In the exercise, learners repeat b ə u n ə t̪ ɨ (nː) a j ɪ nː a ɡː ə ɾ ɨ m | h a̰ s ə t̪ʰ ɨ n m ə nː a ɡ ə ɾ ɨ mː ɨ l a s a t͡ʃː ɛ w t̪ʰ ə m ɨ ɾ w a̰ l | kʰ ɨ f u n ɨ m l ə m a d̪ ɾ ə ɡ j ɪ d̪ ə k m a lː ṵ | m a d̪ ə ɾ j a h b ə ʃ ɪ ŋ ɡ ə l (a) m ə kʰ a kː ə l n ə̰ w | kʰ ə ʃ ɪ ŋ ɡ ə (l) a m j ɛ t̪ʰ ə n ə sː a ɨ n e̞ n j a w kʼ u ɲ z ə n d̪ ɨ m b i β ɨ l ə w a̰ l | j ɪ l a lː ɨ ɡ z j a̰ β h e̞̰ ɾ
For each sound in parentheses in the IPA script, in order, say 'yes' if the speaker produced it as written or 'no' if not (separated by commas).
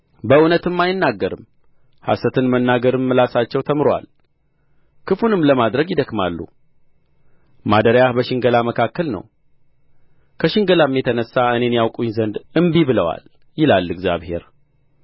no, yes, yes